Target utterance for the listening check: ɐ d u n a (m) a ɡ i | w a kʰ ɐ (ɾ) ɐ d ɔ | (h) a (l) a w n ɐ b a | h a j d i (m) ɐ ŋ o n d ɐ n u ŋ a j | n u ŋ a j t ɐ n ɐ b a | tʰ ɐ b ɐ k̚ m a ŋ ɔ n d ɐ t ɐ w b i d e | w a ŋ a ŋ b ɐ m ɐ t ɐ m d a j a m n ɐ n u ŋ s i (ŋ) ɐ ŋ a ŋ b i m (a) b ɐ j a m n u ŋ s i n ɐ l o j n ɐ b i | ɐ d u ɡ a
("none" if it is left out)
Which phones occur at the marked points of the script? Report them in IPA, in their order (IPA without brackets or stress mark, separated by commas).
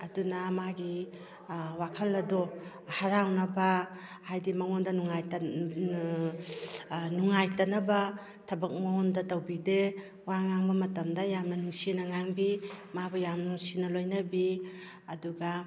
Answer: m, l, h, ɾ, m, n, a